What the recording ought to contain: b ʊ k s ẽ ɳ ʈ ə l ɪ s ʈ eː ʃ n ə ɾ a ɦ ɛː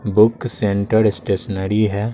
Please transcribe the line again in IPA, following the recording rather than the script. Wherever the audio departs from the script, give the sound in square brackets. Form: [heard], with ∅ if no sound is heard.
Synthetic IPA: b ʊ k s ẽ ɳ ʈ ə [ɾ] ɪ s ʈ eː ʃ n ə ɾ [i] ɦ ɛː